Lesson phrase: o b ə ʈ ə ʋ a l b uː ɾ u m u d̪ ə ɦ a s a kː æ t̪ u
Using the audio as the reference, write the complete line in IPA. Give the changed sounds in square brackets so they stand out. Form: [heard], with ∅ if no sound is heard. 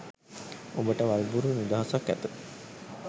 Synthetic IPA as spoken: o b ə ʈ ə ʋ a l b [u] ɾ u [n] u d̪ [a] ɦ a s a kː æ t̪ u